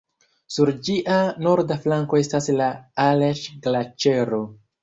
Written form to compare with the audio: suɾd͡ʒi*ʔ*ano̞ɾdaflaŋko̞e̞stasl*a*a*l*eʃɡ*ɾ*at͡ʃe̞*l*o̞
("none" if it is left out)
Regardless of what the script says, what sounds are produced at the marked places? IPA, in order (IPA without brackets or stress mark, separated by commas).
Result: ʔ, a, l, l, ɾ